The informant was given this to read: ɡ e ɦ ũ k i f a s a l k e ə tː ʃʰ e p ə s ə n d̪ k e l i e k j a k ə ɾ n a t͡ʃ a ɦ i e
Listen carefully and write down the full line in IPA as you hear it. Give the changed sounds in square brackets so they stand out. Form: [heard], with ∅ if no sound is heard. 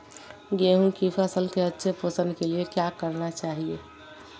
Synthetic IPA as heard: ɡ e ɦ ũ k i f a s [ə] l k e ə tː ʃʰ e p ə s ə n d̪ k e l i e k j a k ə ɾ n a t͡ʃ a ɦ i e